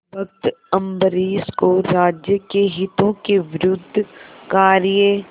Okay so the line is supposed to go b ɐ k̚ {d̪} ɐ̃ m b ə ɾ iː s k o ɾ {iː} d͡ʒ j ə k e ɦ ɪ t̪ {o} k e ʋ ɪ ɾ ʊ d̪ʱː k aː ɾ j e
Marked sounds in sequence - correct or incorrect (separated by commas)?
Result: incorrect, incorrect, incorrect